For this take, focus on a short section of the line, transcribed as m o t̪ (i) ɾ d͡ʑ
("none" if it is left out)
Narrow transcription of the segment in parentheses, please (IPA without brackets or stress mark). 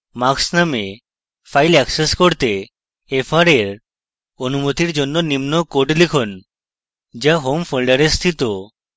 i